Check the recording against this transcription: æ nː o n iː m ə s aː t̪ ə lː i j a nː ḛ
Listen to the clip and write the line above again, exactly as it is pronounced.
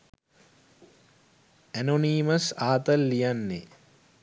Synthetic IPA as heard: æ n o n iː m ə s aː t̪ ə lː i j a nː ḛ